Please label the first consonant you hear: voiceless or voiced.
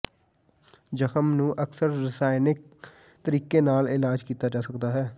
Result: voiced